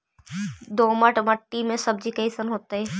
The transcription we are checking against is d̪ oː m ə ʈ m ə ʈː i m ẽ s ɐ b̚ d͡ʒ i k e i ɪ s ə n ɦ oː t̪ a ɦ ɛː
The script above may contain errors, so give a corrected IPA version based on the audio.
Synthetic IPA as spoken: d̪ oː m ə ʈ m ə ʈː i m ẽ s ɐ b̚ d͡ʒ i k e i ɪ s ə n ɦ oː t̪ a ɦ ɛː